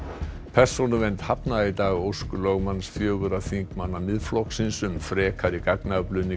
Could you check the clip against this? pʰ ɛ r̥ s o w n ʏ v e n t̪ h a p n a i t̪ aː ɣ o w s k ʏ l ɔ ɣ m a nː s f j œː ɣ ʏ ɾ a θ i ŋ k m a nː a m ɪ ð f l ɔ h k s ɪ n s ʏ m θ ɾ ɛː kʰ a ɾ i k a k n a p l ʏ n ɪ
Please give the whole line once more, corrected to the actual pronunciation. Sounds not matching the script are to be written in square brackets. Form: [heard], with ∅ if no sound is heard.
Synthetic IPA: pʰ ɛ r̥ s o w n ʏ v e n t̪ h a p n a i t̪ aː ɣ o w s k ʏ l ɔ ɣ m a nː s f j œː ɣ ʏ ɾ a θ i ŋ k m a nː a m ɪ ð f l ɔ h k s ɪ n s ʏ m [f] ɾ ɛː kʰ a ɾ i k a k n a p l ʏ n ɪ

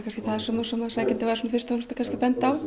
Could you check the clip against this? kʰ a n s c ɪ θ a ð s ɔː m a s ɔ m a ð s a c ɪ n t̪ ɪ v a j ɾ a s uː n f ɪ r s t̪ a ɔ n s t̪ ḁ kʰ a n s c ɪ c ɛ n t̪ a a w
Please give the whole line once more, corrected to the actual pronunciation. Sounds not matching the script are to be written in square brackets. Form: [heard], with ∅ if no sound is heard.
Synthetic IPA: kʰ a n s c ɪ θ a ð s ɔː m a s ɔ m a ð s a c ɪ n t̪ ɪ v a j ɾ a s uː n f ɪ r s t̪ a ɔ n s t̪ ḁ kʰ a n s c ɪ [p] ɛ n t̪ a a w

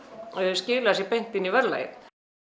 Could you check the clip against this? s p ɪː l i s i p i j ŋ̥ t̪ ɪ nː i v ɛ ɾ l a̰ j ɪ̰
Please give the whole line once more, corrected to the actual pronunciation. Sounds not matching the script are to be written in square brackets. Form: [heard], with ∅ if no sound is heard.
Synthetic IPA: s [c] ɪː l [a] s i p [e] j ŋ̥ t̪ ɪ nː i v ɛ ɾ l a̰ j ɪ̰

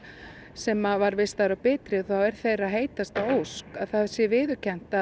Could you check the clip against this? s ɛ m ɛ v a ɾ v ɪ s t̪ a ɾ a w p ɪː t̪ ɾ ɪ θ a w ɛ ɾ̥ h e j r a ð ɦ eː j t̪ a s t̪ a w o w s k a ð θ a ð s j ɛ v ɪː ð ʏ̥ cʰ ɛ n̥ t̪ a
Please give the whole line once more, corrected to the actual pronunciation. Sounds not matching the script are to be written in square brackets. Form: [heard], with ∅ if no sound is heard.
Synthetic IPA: s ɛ m [a] v a ɾ v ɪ s t̪ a ɾ a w p ɪː t̪ ɾ ɪ θ a w ɛ ɾ̥ [θ] e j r a ð ɦ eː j t̪ a s t̪ a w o w s k a ð θ a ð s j ɛ v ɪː ð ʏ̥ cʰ ɛ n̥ t̪ a

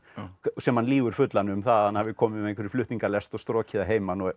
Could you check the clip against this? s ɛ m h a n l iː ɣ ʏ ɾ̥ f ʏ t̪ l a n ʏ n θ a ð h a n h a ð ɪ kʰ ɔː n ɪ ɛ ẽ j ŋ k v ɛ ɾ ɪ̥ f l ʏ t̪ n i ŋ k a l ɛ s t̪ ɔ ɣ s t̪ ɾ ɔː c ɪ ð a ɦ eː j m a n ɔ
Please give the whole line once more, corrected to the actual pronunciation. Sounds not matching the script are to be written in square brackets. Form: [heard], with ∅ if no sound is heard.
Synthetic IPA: s ɛ m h a n l iː ɣ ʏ ɾ̥ f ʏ t̪ l a n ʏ [m] θ a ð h a n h a [v] ɪ kʰ ɔː [m] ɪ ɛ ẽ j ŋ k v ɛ ɾ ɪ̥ f l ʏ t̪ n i ŋ k a l ɛ s t̪ ɔ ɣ s t̪ ɾ ɔː c ɪ ð a ɦ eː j m a n ɔ

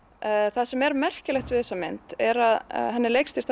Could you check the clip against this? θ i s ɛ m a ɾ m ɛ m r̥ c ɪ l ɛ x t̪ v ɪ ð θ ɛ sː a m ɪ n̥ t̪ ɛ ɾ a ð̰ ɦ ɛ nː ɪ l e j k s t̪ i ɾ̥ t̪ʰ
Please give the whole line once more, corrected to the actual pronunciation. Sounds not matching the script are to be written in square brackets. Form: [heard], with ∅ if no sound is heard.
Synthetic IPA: θ [a] s ɛ m [ɛ] ɾ m ɛ [∅] r̥ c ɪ l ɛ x t̪ v ɪ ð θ ɛ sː a m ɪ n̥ t̪ ɛ ɾ a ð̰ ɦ ɛ nː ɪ l e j k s t̪ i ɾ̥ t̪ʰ

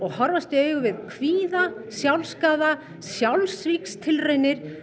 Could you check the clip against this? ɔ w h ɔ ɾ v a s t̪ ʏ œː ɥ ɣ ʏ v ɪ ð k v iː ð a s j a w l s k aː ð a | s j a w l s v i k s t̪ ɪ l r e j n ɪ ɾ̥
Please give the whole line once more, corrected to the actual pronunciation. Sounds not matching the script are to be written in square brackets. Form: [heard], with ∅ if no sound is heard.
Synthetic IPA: ɔ [ɣ] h ɔ ɾ v a s t̪ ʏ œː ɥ ɣ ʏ v ɪ ð [kʰ] v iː ð a s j a w l s k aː ð a | s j a w l s v i k s [t̪ʰ] ɪ l r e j n ɪ ɾ̥

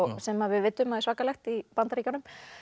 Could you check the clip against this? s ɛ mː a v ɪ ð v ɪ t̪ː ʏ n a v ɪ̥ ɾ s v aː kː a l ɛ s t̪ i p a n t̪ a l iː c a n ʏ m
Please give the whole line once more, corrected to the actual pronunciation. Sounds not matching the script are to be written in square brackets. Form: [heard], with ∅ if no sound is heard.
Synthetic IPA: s ɛ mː a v ɪ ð v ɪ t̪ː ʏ [m] a [ð] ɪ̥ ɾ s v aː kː a l ɛ [x] t̪ i p a n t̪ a [ɾ] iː c a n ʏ m

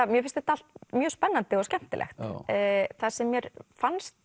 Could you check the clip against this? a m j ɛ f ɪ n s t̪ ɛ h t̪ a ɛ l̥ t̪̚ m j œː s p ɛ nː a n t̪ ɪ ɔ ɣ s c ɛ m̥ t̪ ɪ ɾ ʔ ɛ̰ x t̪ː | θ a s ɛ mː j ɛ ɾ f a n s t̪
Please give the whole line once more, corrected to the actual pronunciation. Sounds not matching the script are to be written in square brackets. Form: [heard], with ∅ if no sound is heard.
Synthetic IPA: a m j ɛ f ɪ n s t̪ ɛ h t̪ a [a] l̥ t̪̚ m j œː s p ɛ nː a n t̪ ɪ ɔ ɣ s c ɛ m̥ t̪ ɪ [l] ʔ ɛ̰ x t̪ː | θ a s ɛ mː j ɛ ɾ f a n s t̪

